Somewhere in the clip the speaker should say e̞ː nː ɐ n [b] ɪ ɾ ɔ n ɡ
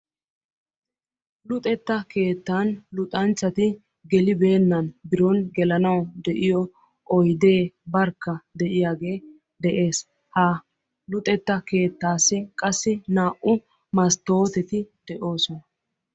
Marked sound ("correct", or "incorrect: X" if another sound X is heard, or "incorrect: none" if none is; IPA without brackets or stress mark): correct